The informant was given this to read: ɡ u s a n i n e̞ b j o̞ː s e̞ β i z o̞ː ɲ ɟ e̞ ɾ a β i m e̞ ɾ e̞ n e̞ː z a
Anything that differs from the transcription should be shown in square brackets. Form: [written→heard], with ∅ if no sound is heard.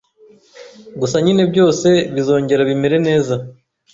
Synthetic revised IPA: ɡ u s a [n→ɲ] i n e̞ b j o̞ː s e̞ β i z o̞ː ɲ ɟ e̞ ɾ a β i m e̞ ɾ e̞ n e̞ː z a